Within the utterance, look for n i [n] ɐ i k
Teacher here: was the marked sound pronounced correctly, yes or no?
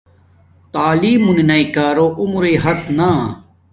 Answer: yes